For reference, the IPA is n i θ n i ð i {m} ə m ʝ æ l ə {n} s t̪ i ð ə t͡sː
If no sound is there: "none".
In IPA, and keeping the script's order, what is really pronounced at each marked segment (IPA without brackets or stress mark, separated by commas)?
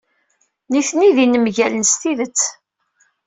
n, n